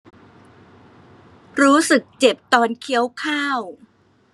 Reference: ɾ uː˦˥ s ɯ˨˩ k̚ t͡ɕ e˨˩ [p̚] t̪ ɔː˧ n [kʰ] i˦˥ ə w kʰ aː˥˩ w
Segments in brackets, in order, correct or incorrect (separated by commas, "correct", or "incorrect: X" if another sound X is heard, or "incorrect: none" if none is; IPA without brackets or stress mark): correct, correct